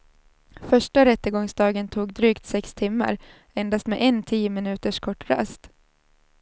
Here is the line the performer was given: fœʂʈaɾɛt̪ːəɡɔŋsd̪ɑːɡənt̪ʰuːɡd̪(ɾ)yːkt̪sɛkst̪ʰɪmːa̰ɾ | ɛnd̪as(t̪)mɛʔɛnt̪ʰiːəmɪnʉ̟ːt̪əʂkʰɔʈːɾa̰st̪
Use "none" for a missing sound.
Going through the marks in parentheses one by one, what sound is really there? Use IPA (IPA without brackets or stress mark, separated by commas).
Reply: ɾ, t̪